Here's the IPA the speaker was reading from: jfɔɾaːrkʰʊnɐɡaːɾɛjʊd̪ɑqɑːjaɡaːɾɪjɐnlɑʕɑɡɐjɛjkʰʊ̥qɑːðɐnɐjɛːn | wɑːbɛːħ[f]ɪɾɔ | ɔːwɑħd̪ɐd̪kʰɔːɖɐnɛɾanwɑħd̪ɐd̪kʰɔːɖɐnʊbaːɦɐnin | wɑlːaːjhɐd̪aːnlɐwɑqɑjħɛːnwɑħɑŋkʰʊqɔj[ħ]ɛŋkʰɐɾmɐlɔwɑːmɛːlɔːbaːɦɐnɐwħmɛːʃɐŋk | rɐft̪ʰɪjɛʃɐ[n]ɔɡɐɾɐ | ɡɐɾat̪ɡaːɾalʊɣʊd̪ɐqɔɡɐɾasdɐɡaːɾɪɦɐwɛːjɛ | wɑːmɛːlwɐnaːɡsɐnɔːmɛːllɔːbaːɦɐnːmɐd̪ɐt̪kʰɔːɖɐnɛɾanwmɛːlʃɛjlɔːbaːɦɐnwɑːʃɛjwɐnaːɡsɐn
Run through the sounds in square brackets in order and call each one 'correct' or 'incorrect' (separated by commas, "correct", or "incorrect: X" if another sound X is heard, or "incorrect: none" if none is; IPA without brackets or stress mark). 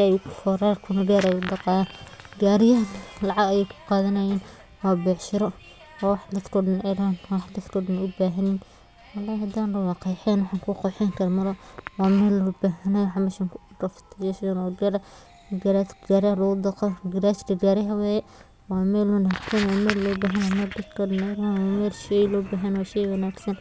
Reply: incorrect: ʃ, correct, correct